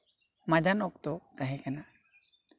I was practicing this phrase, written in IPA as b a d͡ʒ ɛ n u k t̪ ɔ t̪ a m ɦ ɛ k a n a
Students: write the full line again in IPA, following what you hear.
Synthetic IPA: m a d͡ʒ a n ɔ k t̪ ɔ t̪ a ɦ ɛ k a n a

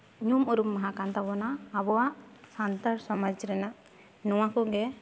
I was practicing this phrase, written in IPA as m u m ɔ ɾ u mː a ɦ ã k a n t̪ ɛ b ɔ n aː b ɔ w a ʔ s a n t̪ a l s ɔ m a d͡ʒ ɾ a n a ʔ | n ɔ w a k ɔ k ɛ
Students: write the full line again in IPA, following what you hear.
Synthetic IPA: ɲ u m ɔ ɾ u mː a ɦ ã k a n t̪ a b ɔ n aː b ɔ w a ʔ s a n t̪ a ɾ s ɔ m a d͡ʒ ɾ ɛ n a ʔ | n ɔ w a k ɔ ɡ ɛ

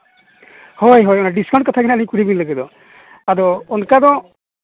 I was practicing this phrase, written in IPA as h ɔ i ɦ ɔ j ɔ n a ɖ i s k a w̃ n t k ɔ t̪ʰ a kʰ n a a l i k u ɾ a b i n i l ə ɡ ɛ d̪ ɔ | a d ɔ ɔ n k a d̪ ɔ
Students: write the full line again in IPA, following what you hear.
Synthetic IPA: h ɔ j ɦ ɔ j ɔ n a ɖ i s k a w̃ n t k ɔ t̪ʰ a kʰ n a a l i k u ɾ i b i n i l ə ɡ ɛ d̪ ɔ | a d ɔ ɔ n k a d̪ ɔ

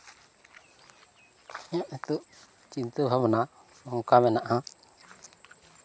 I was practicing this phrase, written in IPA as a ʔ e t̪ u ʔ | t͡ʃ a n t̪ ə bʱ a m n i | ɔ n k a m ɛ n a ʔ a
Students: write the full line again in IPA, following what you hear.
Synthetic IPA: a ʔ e t̪ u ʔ | t͡ʃ i n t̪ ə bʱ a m n a | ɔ ŋ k a m ɛ n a ʔ a

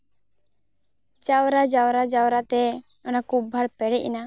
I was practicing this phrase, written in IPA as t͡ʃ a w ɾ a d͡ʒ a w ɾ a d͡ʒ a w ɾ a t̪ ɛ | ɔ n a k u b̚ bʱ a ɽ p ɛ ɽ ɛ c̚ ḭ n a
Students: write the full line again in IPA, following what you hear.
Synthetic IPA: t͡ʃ a w ɾ a d͡ʒ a w ɾ a d͡ʒ a w ɾ a t̪ ɛ | ɔ n a k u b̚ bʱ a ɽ p ɛ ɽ ɛ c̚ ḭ n a

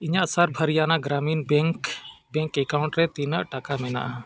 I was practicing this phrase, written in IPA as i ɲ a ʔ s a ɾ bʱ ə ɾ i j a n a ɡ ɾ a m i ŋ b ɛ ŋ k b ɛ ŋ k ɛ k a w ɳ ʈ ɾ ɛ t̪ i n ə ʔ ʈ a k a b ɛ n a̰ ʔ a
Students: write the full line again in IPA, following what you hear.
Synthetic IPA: i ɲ a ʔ s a ɾ bʱ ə ɾ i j a n a ɡ ɾ a m i n b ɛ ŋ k b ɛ ŋ k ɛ k a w ɳ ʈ ɾ ɛ t̪ i n ə ʔ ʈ a k a m ɛ n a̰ ʔ a

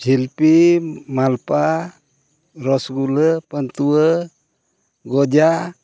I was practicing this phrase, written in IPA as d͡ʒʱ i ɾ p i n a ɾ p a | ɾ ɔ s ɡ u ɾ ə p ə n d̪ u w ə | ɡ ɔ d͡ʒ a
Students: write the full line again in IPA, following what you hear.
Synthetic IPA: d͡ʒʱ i l p i m a l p a | ɾ ɔ s ɡ u l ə p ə n t̪ u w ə | ɡ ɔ d͡ʒ a

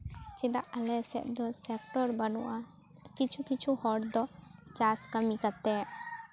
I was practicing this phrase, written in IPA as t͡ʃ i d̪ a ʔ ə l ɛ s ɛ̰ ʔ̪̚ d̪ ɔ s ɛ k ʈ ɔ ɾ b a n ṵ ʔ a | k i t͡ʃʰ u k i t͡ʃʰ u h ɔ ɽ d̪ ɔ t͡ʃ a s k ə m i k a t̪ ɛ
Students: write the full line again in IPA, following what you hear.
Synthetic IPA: t͡ʃ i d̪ a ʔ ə l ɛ s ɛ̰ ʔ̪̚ d̪ ɔ s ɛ k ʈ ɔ ɾ b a n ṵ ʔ a | k i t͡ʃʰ u k i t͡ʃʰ u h ɔ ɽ d̪ ɔ t͡ʃ a s k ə m i k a t̪ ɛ

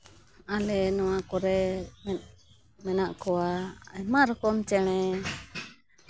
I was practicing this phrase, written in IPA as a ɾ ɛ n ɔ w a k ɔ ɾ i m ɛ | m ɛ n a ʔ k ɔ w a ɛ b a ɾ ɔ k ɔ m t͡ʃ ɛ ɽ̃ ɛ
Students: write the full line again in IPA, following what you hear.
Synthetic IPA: a l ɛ n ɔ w a k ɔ ɾ ɛ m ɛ | m ɛ n a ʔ k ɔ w a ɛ m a ɾ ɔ k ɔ m t͡ʃ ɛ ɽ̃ ɛ

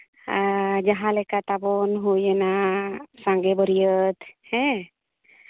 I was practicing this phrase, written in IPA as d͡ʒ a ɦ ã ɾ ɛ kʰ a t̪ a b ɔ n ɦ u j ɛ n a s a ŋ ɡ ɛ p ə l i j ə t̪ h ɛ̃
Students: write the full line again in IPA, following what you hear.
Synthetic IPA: d͡ʒ a ɦ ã l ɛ k a t̪ a b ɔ n ɦ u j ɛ n a s a ŋ ɡ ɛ b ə ɾ i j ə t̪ h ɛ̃

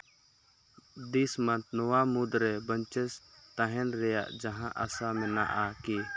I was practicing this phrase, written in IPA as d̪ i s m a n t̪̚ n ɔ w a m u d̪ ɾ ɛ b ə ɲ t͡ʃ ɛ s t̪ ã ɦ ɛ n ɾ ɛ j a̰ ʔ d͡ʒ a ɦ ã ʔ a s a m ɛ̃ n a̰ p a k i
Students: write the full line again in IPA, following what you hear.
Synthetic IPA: d̪ i s m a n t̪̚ n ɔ w a m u d̪ ɾ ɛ b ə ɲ t͡ʃ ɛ s t̪ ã ɦ ɛ n ɾ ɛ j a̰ ʔ d͡ʒ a ɦ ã ʔ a s a m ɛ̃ n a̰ ʔ a k i

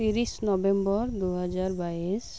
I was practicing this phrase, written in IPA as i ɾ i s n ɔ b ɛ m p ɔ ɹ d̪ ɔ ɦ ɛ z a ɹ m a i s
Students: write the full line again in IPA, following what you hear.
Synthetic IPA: i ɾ i s n ɔ b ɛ m b ɔ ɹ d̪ u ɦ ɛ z a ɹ b a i s

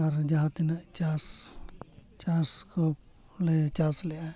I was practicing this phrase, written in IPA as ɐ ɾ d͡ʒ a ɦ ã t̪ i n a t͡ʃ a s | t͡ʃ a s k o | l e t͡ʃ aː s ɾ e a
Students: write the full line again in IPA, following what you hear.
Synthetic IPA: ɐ ɾ d͡ʒ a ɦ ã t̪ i n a t͡ʃ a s | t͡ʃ a s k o | l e t͡ʃ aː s l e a

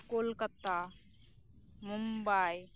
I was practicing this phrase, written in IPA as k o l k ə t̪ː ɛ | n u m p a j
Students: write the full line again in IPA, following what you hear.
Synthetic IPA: k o l k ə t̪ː a | m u m b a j

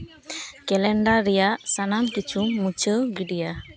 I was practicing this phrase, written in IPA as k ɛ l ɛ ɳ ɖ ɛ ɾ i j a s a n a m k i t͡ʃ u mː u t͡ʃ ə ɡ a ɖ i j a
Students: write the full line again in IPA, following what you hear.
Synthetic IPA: k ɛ l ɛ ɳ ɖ a ɾ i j a s a n a m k i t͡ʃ u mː u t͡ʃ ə ɡ i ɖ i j a

